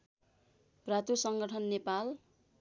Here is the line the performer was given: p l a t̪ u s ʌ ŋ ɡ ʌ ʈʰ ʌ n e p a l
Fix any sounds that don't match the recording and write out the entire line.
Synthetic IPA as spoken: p r a t̪ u s ʌ ŋ ɡ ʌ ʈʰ ʌ nː e p a l

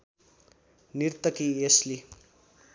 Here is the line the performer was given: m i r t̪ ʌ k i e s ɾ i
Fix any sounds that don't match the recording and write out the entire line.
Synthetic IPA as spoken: n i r t̪ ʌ k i e s l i

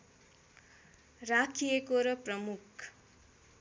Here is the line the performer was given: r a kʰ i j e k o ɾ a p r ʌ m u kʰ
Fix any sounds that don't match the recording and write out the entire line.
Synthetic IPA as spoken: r a kʰ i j e k o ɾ ʌ p r ʌ m u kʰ

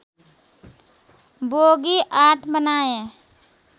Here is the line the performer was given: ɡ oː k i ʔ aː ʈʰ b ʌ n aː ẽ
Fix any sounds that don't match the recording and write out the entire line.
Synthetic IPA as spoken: b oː ɡ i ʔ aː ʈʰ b ə n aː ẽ

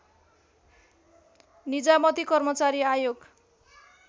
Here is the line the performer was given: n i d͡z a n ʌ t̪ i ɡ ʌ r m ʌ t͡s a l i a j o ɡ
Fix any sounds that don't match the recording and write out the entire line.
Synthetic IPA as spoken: n i d͡z a m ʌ t̪ i k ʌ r m ʌ t͡s a ɾ i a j o ɡ

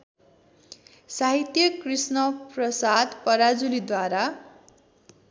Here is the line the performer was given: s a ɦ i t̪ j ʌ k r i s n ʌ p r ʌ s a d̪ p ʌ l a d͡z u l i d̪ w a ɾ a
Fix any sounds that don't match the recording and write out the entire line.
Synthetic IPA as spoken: s a ɦ i t̪ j ʌ k r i s n ʌ p r ʌ s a d̪ p ʌ ɾ a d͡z u l i d̪ w a ɾ a

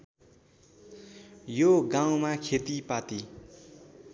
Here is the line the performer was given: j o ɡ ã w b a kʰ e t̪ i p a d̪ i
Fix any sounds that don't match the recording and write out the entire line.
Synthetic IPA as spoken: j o ɡ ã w m a kʰ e t̪ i p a t̪ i

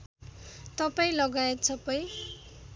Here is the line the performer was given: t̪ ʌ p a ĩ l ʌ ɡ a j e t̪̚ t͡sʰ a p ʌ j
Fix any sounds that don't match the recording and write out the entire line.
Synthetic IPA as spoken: t̪ ʌ p a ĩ l ʌ ɡ a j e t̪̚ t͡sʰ ʌ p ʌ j

